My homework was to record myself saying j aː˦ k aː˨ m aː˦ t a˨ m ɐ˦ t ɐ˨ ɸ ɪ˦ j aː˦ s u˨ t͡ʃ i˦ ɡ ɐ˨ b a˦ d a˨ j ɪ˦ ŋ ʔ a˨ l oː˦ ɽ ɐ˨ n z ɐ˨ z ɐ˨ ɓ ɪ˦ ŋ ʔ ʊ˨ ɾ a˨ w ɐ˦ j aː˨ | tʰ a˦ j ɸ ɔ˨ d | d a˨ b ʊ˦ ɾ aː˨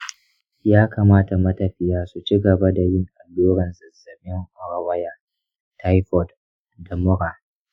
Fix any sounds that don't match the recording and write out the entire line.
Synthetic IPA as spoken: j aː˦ k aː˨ m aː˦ t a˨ m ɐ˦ t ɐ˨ ɸ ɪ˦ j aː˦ s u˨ t͡ʃ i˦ ɡ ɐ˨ b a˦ d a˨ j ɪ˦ ŋ ʔ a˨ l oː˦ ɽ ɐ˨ n z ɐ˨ z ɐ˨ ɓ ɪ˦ ŋ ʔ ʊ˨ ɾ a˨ w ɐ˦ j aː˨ | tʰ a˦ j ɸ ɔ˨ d | d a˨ m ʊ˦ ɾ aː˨